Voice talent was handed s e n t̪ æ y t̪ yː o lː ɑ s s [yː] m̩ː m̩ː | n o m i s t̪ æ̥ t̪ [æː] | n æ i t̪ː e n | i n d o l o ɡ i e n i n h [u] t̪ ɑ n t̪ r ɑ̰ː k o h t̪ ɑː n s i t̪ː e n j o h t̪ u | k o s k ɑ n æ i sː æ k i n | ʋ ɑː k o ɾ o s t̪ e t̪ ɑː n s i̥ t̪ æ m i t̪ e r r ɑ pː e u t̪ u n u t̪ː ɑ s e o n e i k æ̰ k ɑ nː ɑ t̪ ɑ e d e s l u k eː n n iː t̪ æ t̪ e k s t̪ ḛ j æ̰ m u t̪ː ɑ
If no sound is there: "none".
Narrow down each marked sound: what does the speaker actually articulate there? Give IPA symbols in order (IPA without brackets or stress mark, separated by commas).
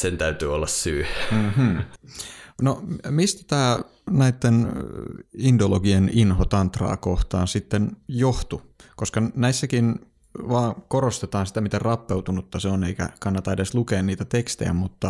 yː, æː, o